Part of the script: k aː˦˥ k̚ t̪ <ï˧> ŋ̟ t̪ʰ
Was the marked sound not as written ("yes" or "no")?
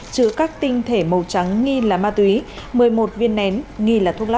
no